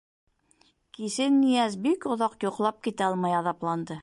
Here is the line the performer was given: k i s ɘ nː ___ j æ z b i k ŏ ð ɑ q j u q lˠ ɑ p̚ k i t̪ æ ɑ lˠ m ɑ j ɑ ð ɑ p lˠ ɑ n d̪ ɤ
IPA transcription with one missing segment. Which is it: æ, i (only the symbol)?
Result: i